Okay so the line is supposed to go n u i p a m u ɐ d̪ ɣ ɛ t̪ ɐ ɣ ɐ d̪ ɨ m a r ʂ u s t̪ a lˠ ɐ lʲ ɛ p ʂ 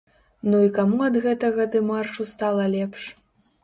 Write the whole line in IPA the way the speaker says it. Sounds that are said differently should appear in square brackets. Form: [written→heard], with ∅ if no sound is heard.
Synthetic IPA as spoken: n u i [p→k] a m u ɐ d̪ ɣ ɛ t̪ ɐ ɣ ɐ d̪ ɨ m a r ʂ u s t̪ a lˠ ɐ lʲ ɛ p ʂ

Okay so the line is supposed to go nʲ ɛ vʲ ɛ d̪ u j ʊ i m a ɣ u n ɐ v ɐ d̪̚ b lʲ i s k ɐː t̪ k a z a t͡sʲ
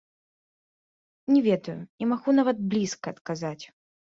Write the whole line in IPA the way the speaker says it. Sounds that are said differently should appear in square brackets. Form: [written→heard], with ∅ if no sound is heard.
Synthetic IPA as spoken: nʲ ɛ vʲ ɛ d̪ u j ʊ i m a ɣ u n [ɐ→a] v ɐ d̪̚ b lʲ i s k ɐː t̪ k a z a t͡sʲ

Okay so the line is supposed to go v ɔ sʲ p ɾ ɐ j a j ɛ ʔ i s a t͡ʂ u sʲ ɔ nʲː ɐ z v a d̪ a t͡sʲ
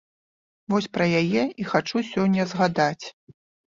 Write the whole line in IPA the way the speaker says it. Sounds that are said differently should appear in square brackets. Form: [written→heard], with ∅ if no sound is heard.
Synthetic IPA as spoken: v ɔ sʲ p ɾ ɐ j a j ɛ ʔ i [s→x] a t͡ʂ u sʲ ɔ nʲː ɐ z [v→ɣ] a d̪ a t͡sʲ

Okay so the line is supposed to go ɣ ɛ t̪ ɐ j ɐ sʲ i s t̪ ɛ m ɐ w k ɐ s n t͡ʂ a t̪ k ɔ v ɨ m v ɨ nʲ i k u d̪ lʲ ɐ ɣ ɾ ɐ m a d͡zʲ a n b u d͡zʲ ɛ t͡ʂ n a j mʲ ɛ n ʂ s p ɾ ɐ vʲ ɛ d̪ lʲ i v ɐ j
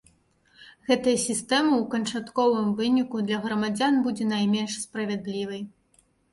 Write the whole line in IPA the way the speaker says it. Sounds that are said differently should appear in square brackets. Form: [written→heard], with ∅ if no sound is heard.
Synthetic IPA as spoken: ɣ ɛ t̪ ɐ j ɐ sʲ i s t̪ ɛ m ɐ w k ɐ [s→∅] n t͡ʂ a t̪ k ɔ v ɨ m v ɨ nʲ i k u d̪ lʲ ɐ ɣ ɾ ɐ m a d͡zʲ a n b u d͡zʲ ɛ [t͡ʂ→∅] n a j mʲ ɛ n ʂ s p ɾ ɐ vʲ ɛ d̪ lʲ i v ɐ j

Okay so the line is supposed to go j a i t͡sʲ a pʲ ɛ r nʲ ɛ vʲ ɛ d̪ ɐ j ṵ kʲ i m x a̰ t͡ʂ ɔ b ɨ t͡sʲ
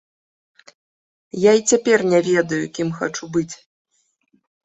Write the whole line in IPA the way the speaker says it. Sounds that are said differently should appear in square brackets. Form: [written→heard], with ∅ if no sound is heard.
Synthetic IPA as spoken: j a i t͡sʲ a pʲ ɛ r nʲ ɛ vʲ ɛ d̪ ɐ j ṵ kʲ i m x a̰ t͡ʂ [ɔ→u] b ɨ t͡sʲ

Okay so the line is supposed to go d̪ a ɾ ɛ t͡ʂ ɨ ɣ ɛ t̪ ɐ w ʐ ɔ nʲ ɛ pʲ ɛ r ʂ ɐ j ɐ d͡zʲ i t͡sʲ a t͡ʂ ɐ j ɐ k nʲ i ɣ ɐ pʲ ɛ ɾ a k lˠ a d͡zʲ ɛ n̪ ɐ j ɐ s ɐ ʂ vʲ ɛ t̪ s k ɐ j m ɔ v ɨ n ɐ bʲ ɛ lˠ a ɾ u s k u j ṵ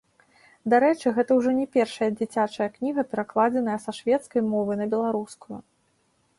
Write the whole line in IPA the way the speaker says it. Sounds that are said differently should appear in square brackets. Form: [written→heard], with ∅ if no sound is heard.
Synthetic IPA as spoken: d̪ a ɾ ɛ t͡ʂ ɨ ɣ ɛ t̪ ɐ w ʐ ɔ nʲ ɛ pʲ ɛ r ʂ ɐ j ɐ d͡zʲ i t͡sʲ a t͡ʂ ɐ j ɐ k nʲ i ɣ ɐ pʲ ɛ ɾ a k lˠ a d͡zʲ ɛ n̪ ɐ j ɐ s ɐ ʂ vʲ ɛ t̪ s k ɐ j m ɔ v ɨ n ɐ bʲ ɛ lˠ a ɾ u s k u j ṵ

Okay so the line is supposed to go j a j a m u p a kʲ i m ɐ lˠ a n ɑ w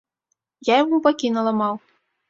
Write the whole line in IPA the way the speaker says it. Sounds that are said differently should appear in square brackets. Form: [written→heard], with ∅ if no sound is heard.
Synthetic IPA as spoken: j a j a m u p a kʲ i [m→n] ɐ lˠ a [n→m] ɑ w

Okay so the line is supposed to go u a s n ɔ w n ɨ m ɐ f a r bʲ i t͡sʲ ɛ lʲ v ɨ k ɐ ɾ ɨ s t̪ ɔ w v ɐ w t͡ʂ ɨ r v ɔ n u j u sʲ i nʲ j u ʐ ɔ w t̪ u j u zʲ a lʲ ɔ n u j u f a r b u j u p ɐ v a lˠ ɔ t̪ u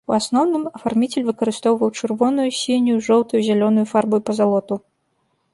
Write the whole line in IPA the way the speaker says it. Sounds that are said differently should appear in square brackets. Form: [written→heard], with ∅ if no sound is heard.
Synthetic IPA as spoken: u a s n ɔ w n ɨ m ɐ f a r [bʲ→mʲ] i t͡sʲ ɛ lʲ v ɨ k ɐ ɾ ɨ s t̪ ɔ w v ɐ w t͡ʂ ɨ r v ɔ n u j u sʲ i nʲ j u ʐ ɔ w t̪ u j u zʲ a lʲ ɔ n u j u f a r b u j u p ɐ [v→z] a lˠ ɔ t̪ u

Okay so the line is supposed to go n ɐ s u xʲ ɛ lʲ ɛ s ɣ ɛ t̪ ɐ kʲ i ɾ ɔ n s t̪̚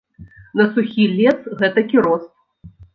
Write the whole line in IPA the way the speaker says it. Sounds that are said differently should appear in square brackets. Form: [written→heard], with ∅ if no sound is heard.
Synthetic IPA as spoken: n ɐ s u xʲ [ɛ→i] lʲ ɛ s ɣ ɛ t̪ ɐ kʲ i ɾ ɔ [n→∅] s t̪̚

